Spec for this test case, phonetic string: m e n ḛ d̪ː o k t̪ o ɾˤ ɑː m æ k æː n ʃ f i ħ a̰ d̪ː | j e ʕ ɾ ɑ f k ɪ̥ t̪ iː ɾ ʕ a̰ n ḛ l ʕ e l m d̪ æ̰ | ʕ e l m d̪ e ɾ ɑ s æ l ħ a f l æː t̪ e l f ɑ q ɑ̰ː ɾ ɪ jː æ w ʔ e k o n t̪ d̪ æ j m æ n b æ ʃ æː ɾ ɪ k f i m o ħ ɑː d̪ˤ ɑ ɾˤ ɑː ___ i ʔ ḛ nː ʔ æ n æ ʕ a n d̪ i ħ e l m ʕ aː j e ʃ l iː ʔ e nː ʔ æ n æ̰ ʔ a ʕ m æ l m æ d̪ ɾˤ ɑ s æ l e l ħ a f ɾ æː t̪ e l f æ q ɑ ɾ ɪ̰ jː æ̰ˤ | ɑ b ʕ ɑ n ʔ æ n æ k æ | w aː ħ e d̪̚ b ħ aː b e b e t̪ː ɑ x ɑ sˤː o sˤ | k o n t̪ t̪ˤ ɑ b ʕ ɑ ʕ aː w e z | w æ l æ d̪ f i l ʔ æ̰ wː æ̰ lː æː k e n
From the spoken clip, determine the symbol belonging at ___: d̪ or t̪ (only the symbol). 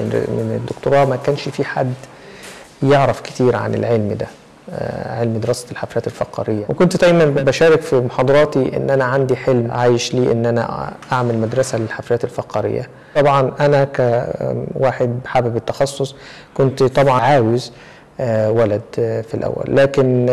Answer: t̪